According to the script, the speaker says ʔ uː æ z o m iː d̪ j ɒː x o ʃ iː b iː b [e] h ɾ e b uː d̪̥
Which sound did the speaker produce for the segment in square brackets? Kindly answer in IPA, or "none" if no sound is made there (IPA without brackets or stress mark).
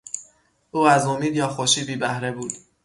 æ